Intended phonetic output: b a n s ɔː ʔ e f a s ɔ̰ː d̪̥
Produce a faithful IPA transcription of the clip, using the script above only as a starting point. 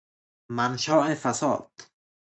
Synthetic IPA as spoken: m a n ʃ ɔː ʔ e f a s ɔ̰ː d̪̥